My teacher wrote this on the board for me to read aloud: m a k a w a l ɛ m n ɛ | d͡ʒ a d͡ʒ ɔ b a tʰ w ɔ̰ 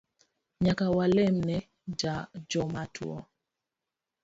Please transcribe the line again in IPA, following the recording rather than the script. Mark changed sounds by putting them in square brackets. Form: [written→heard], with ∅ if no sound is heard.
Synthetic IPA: [m→ɲ] a k a w a l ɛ m n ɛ | d͡ʒ a d͡ʒ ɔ [b→m] a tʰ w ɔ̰